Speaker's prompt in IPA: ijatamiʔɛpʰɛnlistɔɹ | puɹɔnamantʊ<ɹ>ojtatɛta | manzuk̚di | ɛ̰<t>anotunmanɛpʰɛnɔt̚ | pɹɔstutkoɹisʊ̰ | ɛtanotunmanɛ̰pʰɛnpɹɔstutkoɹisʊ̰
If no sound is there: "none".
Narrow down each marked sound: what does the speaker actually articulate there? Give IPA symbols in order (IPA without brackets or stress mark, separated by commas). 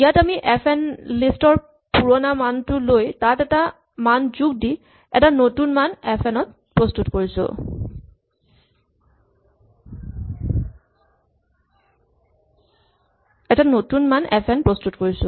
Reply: l, t